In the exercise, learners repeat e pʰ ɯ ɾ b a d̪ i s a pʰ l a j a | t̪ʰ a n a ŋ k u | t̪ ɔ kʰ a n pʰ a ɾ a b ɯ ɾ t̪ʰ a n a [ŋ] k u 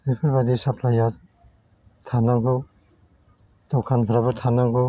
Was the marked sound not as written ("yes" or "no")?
no